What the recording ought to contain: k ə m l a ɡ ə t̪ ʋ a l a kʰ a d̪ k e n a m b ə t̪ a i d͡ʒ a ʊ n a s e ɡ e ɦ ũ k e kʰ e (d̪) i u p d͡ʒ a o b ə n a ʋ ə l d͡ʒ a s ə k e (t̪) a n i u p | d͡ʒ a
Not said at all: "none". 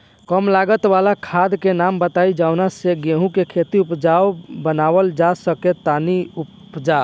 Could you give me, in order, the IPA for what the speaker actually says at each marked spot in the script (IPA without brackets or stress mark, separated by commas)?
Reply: t̪, t̪